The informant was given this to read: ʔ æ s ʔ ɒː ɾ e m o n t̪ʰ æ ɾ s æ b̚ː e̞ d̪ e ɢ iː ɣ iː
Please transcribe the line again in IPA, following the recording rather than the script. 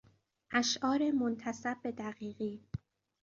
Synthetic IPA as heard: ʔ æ ʃ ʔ ɒː ɾ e m o n t̪ʰ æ s æ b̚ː e̞ d̪ æ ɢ iː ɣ iː